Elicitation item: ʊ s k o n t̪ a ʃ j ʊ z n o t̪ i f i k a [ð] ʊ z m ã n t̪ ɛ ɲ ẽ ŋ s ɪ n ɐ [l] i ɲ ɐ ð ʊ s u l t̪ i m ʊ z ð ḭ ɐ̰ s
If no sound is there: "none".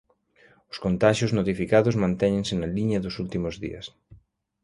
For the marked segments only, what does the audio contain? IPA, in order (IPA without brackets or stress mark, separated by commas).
ð, l